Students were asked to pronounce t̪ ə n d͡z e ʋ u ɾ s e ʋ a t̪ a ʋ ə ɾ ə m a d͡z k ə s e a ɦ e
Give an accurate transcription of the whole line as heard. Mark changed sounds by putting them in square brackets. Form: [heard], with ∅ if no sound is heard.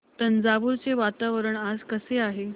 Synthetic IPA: t̪ ə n d͡z [a] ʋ u ɾ [t͡s] e ʋ a t̪ a ʋ ə ɾ ə [ɳ] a d͡z k ə s e a ɦ e